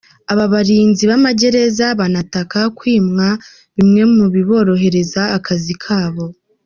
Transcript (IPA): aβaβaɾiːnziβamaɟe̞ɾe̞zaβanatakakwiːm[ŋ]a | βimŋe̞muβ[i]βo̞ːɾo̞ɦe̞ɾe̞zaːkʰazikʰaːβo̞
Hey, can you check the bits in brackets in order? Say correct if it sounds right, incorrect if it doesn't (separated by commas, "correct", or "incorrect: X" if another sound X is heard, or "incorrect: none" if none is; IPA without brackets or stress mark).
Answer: correct, correct